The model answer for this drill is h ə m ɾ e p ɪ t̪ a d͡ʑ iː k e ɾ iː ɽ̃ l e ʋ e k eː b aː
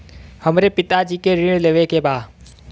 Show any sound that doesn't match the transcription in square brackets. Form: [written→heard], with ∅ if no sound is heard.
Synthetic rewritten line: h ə m ɾ e p ɪ t̪ a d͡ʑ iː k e ɾ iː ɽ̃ l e ʋ e k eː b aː

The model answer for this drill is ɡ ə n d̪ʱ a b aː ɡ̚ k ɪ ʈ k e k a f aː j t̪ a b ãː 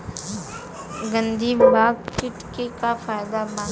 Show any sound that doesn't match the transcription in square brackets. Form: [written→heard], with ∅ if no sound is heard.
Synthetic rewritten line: ɡ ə n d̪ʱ [a→i] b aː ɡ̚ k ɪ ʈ k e k a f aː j [t̪→d̪] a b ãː

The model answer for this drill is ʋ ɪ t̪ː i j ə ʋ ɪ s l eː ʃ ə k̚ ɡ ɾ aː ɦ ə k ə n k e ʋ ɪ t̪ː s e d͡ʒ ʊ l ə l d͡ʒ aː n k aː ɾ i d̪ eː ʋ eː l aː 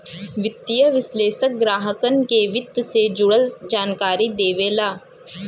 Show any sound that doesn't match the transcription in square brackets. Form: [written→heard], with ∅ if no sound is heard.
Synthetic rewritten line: ʋ ɪ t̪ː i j ə ʋ ɪ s l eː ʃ ə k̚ ɡ ɾ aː ɦ ə k ə n k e ʋ ɪ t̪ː s e d͡ʒ ʊ [l→ɽ] ə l d͡ʒ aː n k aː ɾ i d̪ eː ʋ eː l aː

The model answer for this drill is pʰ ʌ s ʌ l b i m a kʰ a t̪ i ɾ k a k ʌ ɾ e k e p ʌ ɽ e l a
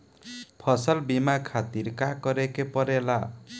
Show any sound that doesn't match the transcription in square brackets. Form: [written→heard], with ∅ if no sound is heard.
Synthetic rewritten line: pʰ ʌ s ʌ l b i m a kʰ a t̪ i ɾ k a k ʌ ɾ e k e p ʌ [ɽ→ɾ] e l a

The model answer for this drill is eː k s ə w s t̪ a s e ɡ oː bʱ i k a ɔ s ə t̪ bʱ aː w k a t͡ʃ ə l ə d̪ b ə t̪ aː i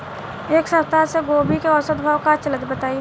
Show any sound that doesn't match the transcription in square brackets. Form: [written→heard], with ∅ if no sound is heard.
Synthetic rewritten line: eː k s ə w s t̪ a s e ɡ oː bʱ i k [a→e] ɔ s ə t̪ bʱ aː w k a t͡ʃ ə l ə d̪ b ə t̪ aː i

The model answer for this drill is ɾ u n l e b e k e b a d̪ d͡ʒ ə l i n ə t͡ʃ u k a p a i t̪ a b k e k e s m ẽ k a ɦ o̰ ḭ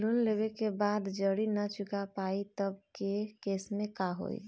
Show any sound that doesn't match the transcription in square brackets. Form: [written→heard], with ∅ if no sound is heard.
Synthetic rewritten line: [ɾ→l] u n l e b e k e b a d̪ d͡ʒ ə [l→ɽ] i n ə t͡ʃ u k a p a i t̪ [a→ə] b k e k e s m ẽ k a ɦ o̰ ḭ

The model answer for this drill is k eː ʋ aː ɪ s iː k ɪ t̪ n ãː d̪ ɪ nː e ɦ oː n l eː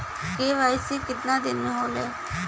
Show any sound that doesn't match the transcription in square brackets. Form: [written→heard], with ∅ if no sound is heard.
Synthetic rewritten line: k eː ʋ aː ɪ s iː k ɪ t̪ n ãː d̪ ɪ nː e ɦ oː [n→∅] l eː

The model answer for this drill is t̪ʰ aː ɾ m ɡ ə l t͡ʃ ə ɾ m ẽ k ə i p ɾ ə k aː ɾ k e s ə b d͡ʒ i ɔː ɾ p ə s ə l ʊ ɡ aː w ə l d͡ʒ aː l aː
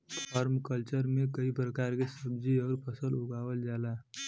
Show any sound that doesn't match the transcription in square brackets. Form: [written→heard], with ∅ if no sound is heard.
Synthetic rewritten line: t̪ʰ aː ɾ m [ɡ→k] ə l t͡ʃ ə ɾ m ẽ k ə i p ɾ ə k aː ɾ k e s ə b d͡ʒ i ɔː ɾ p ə s ə l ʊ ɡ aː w ə l d͡ʒ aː l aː

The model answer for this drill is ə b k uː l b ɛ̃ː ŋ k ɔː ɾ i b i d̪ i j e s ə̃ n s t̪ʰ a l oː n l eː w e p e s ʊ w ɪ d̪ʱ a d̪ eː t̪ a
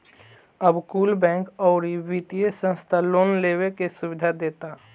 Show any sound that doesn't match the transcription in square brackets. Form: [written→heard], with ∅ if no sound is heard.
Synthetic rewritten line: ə b k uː l b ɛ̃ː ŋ k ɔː ɾ i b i [d̪→t̪] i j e s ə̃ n s t̪ʰ a l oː n l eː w e [p→k] e s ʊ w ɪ d̪ʱ a d̪ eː t̪ a

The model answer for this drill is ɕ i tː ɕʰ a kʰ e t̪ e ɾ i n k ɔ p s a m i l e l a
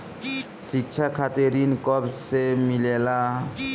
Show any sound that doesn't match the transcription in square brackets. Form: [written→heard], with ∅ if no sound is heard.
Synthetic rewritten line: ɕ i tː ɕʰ a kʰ [e→a] t̪ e ɾ i n k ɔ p s [a→e] m i l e l a

